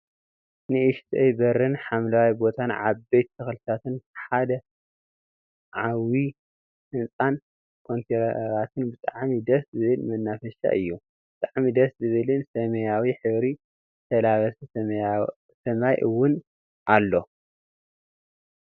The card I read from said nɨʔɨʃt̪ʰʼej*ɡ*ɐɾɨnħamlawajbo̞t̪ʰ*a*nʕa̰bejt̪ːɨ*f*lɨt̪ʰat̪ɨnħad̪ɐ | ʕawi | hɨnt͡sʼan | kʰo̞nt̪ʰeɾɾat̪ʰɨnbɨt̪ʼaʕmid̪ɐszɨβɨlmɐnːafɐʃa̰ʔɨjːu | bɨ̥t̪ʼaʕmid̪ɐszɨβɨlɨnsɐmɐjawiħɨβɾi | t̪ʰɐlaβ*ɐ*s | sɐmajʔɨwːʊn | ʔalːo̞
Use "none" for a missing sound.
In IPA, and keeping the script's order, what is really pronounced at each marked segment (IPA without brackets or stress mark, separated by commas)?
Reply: b, a, x, ɐ